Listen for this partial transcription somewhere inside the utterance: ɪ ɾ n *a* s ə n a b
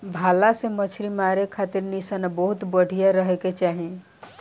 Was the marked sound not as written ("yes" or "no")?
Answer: yes